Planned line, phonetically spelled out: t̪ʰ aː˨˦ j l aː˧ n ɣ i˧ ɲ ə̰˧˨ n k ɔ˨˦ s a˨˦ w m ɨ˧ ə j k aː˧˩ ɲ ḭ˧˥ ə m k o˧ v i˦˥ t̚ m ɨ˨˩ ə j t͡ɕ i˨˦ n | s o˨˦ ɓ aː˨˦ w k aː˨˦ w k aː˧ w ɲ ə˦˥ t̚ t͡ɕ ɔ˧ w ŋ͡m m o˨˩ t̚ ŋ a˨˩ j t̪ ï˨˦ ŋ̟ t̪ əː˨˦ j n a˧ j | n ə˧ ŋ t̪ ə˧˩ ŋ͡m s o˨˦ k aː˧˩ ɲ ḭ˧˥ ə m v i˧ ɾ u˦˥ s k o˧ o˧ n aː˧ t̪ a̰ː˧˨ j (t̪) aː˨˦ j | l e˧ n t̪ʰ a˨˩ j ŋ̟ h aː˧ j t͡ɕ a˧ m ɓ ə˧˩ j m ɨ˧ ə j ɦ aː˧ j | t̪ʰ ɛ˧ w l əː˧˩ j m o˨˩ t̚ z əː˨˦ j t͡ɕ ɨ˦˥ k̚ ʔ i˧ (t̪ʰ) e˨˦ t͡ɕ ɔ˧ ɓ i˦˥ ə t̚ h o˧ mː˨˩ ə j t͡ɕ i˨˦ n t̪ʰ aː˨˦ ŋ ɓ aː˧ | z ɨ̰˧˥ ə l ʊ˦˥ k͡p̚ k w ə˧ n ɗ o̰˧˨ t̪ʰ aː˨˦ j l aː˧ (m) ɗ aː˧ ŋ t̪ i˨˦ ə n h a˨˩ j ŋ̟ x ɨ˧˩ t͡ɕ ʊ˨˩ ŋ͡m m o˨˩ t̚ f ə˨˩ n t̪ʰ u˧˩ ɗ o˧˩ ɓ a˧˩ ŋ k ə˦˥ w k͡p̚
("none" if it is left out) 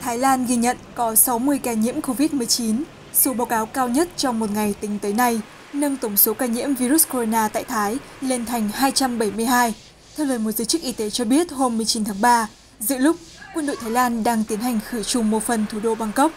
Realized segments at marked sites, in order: t̪ʰ, t̪, n

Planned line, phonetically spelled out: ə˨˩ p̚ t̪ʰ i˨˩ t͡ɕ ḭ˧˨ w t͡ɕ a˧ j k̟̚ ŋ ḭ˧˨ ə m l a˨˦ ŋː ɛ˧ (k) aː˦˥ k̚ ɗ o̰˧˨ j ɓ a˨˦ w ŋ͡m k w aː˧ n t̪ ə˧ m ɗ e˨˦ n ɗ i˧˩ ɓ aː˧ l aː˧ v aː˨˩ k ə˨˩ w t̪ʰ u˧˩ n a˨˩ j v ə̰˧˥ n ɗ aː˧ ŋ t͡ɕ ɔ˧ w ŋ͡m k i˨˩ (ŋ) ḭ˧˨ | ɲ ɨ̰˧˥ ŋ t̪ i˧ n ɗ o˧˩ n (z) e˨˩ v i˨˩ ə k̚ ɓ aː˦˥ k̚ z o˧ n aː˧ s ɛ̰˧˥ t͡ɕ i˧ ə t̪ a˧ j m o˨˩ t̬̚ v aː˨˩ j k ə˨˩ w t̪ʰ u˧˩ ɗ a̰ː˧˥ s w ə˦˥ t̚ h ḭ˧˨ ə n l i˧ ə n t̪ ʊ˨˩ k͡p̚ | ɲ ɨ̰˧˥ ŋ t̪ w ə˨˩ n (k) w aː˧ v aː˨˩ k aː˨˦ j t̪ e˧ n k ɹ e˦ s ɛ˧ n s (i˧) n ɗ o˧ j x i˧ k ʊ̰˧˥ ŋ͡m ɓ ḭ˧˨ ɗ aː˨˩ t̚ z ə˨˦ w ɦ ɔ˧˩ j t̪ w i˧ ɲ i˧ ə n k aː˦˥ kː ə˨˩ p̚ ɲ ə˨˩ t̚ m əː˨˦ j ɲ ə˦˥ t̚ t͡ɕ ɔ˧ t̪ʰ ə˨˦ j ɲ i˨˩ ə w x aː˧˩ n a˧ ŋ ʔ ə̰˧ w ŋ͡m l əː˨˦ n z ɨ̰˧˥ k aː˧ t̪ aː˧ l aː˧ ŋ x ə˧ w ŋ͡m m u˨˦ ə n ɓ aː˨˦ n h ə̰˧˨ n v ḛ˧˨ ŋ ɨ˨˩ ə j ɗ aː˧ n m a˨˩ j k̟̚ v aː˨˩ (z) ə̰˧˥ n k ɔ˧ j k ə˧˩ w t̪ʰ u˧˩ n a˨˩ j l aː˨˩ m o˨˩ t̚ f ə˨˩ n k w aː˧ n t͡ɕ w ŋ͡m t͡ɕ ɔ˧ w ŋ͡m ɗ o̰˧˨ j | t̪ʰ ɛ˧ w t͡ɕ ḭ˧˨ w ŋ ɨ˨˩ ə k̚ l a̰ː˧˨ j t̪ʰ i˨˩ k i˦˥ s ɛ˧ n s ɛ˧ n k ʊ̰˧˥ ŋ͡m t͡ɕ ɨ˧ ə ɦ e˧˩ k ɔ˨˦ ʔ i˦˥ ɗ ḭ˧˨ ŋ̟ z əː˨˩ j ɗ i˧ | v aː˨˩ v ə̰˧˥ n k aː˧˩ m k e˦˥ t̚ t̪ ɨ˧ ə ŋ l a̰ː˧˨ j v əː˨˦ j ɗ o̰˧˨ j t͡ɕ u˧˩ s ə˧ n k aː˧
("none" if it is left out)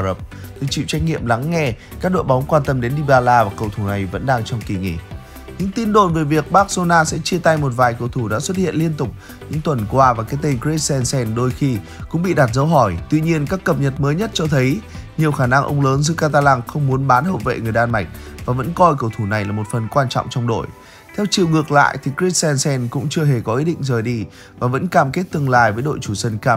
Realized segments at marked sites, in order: k, ŋ, v, k, ɛ˧, v

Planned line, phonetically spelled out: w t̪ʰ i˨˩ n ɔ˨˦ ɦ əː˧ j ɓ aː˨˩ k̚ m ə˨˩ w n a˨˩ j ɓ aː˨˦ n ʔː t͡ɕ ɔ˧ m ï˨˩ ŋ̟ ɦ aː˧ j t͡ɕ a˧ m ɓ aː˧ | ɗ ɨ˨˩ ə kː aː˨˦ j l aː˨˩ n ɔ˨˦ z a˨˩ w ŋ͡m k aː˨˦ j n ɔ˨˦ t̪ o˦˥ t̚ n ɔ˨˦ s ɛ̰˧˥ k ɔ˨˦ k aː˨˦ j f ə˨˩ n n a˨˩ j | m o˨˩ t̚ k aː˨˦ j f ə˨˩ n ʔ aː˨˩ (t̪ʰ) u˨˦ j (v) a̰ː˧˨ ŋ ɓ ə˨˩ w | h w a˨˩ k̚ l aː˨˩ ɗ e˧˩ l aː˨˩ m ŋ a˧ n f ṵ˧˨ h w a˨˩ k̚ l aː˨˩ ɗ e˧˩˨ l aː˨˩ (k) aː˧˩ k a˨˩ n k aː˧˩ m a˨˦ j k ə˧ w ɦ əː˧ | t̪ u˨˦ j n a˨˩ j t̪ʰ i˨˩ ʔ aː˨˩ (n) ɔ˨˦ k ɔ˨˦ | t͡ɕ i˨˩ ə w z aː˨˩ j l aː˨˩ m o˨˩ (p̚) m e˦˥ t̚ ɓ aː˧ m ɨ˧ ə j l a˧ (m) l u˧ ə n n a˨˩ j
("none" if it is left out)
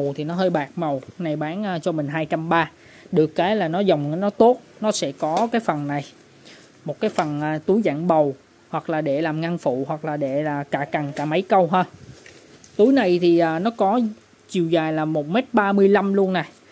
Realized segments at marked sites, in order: t̪, z, k, n, t̚, m

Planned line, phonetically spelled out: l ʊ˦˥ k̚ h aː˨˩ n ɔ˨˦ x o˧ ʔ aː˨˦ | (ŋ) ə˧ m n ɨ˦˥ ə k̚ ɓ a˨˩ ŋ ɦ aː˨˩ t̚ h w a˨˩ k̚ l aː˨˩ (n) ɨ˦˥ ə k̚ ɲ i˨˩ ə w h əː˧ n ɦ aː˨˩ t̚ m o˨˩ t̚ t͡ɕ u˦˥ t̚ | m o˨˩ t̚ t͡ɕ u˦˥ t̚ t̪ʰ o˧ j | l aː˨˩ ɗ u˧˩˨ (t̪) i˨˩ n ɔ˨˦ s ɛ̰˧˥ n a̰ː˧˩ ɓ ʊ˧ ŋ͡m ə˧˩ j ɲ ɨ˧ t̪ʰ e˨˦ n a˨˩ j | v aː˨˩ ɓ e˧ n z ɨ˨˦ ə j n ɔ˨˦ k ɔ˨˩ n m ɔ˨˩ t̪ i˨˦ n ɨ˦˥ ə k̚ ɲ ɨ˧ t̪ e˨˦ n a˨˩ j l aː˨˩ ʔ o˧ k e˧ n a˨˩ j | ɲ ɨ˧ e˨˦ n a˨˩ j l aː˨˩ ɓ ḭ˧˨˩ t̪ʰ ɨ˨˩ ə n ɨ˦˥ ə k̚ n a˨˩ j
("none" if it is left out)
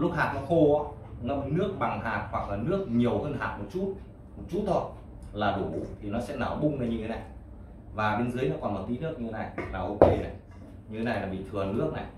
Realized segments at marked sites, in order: ŋ, n, t̪ʰ

